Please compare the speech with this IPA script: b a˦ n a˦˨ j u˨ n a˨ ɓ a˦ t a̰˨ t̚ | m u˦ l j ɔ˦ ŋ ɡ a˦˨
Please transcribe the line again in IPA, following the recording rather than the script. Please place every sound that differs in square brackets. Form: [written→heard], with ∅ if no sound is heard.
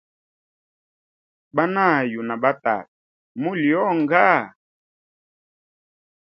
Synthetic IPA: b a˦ n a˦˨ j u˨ n a˨ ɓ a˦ t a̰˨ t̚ | m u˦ l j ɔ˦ ŋ ɡ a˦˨